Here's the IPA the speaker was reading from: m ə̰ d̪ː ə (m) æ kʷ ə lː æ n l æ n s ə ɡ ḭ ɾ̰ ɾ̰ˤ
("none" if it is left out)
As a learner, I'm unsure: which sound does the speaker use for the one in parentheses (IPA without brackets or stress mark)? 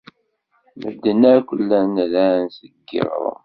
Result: n